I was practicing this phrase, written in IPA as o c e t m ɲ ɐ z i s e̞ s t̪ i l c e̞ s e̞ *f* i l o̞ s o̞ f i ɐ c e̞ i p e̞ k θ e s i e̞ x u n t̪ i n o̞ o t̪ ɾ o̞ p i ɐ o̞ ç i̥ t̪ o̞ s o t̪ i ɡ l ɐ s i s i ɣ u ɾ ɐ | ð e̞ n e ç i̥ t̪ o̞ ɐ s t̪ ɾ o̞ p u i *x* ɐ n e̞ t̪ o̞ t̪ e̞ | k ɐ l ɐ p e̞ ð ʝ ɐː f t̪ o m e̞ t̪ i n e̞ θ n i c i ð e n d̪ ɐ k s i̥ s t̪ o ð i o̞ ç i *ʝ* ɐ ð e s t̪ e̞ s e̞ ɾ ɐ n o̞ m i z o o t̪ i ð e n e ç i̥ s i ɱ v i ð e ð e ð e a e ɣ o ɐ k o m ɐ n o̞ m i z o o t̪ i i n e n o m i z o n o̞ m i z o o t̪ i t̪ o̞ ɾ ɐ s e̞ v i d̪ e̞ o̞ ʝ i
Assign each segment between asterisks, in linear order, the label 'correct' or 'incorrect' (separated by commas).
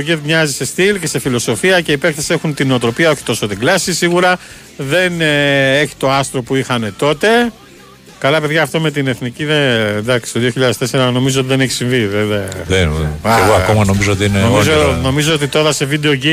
correct, correct, incorrect